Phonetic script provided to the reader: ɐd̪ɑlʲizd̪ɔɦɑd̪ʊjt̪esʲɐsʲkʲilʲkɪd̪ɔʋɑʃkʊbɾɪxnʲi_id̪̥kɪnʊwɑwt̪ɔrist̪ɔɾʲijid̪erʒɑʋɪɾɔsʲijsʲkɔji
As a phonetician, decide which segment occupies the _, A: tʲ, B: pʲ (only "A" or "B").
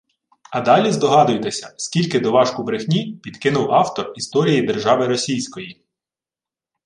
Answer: B